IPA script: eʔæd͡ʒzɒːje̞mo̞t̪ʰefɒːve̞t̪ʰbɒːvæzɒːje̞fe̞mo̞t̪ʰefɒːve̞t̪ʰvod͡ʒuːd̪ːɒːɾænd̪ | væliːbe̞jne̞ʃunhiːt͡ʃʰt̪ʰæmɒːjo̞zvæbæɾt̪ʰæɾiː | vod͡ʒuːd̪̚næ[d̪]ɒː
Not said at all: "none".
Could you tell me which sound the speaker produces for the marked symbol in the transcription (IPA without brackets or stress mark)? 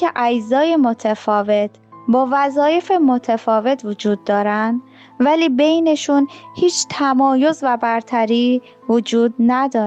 d̪